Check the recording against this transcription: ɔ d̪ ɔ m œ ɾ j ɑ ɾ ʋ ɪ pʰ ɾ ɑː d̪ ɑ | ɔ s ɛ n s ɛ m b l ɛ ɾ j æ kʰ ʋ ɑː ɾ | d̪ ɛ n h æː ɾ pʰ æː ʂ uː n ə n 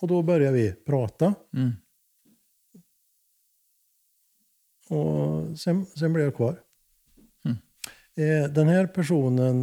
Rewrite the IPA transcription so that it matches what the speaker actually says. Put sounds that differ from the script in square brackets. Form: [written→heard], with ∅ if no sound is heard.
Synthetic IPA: ɔ d̪ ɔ [m→b] œ ɾ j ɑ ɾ ʋ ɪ pʰ ɾ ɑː [d̪→t̪] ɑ | ɔ s ɛ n s ɛ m b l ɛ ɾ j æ kʰ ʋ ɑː ɾ | d̪ ɛ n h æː ɾ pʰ [æː→æ] ʂ uː n ə n